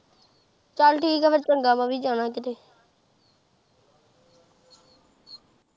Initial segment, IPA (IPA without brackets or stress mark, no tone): t͡ʃ